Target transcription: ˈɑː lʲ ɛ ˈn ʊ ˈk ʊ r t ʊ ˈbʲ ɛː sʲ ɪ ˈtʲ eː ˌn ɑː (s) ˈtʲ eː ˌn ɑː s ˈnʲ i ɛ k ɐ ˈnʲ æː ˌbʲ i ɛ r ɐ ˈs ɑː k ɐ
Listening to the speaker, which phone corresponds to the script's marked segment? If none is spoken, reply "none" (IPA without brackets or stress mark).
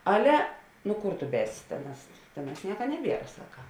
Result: s